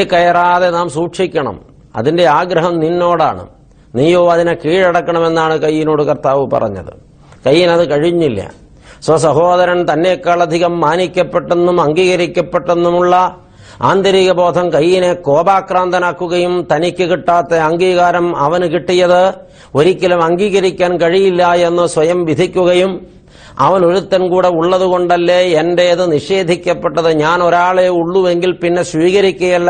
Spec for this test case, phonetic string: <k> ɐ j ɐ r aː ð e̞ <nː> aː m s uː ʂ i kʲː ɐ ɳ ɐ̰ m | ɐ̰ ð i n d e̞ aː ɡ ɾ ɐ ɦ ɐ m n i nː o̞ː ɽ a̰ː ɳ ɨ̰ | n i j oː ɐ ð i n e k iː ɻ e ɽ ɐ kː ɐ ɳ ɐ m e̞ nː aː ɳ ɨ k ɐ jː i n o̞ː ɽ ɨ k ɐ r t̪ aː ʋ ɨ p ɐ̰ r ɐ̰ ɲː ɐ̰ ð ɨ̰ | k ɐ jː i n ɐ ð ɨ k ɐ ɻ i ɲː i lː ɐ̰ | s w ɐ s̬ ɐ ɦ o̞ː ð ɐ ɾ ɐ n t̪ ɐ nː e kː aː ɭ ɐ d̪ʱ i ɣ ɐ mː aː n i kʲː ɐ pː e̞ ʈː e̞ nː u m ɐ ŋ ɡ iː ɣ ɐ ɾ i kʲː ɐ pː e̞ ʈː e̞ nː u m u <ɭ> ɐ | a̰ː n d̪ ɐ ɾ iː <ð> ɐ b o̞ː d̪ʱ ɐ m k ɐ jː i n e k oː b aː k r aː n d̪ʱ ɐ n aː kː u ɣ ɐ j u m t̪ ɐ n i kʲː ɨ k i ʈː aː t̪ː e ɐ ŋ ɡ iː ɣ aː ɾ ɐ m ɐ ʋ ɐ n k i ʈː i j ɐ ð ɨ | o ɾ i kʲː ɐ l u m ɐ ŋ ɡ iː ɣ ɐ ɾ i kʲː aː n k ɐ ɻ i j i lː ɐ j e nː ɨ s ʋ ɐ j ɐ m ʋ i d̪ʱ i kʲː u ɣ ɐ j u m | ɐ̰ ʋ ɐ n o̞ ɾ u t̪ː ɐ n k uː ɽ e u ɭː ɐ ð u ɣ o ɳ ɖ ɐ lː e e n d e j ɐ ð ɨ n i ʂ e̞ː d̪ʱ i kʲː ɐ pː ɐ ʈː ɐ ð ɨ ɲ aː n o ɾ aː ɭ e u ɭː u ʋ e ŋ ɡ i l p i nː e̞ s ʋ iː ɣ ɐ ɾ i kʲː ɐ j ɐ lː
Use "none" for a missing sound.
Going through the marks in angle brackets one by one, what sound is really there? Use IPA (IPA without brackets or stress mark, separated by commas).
k, n, ɭː, ɣ